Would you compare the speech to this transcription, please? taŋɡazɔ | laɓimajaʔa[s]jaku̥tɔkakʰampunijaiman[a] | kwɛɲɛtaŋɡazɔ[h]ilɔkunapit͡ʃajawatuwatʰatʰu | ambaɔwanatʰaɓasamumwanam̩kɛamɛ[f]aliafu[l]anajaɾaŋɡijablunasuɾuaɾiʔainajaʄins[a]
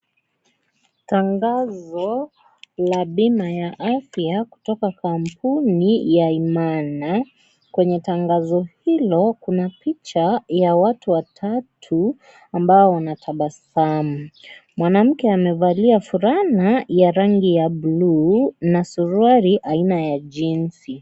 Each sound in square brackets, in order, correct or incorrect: incorrect: f, correct, correct, incorrect: v, incorrect: ɾ, incorrect: i

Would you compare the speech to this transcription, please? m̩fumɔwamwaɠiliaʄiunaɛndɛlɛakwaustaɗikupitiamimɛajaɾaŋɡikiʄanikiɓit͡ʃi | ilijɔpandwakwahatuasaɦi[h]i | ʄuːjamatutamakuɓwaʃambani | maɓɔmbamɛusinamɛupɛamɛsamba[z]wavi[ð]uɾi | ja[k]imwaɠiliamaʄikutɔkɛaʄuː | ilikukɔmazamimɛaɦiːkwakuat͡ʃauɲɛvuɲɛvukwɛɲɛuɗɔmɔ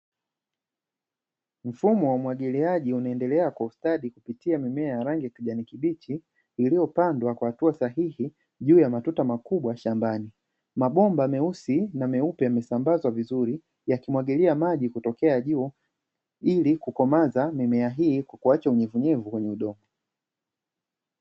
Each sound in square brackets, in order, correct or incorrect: correct, correct, incorrect: z, correct

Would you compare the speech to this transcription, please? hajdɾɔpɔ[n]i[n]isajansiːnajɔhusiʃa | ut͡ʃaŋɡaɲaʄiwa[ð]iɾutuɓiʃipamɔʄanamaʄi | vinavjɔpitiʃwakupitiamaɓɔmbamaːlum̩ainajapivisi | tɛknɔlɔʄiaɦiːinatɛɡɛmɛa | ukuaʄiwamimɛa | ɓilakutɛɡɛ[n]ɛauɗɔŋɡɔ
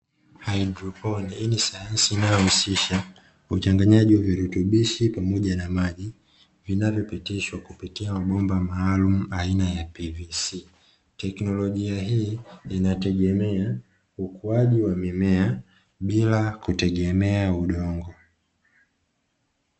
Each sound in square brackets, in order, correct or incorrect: correct, correct, incorrect: v, incorrect: m

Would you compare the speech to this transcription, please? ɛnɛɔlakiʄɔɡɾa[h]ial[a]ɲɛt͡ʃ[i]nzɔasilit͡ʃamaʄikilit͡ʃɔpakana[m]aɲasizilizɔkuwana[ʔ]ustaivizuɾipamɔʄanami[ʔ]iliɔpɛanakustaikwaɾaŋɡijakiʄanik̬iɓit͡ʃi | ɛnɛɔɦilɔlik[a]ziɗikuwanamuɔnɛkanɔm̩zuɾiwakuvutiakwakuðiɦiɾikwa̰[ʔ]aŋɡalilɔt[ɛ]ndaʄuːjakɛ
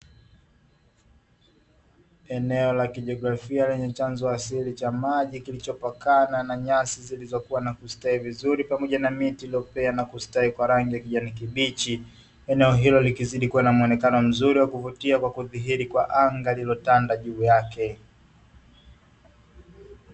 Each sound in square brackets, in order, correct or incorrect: incorrect: f, incorrect: ɛ, incorrect: a, incorrect: n, incorrect: k, incorrect: t, incorrect: i, correct, incorrect: a

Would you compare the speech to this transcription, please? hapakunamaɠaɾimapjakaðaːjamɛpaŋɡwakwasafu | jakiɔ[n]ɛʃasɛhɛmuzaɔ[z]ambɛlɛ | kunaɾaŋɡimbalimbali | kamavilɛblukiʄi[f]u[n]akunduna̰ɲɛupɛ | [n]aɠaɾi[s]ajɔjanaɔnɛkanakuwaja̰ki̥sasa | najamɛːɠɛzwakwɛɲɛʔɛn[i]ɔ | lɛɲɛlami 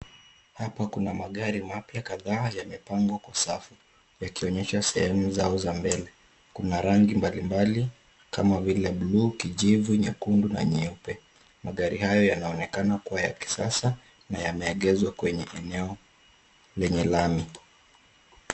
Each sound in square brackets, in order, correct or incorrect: incorrect: ɲ, correct, incorrect: v, incorrect: ɲ, incorrect: m, incorrect: h, incorrect: ɛ

